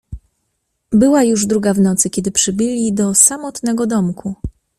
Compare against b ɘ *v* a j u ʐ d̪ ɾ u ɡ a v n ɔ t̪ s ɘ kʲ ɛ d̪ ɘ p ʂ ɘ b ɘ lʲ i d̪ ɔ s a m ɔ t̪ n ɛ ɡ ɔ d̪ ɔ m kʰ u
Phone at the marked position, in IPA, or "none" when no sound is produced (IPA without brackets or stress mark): w